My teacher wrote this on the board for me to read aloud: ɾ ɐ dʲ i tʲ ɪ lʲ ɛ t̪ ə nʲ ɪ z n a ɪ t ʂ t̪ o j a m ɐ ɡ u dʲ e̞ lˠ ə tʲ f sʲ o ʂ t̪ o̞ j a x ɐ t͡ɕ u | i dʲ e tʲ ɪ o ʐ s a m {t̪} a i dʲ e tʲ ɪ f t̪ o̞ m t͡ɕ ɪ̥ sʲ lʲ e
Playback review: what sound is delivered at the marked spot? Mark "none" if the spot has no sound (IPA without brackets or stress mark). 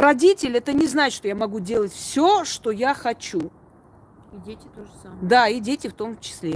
d̪